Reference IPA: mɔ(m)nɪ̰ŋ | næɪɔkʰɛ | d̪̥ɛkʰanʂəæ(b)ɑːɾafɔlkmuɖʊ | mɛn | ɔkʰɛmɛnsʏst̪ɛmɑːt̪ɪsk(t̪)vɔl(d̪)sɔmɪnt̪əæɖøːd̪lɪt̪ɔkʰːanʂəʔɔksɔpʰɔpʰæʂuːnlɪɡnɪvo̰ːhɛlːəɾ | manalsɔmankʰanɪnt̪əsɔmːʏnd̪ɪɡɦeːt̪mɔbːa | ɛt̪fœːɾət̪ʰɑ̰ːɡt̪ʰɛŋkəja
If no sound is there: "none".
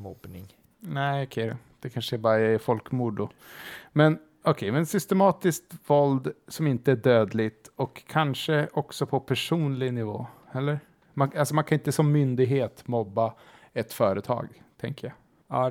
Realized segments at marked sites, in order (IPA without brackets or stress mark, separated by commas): b, b, t̪, d̪